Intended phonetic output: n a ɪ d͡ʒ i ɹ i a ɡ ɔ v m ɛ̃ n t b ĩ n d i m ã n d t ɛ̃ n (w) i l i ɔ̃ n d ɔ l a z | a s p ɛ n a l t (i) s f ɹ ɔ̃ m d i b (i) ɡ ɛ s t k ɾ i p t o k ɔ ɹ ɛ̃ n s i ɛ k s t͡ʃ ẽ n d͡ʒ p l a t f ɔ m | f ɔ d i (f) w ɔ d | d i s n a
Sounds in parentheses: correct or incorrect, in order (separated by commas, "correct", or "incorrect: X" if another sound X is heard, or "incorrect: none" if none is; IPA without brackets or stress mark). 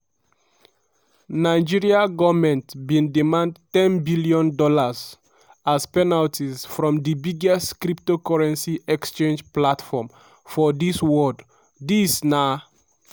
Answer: incorrect: b, correct, correct, incorrect: s